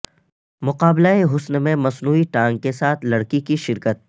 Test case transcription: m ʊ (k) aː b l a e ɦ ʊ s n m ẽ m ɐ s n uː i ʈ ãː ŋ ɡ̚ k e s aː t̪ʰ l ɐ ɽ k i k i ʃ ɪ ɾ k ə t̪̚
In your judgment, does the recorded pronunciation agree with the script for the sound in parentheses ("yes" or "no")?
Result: no